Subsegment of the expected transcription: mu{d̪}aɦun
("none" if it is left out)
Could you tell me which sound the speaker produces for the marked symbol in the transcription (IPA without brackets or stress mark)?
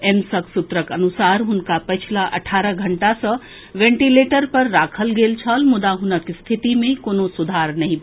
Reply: d̪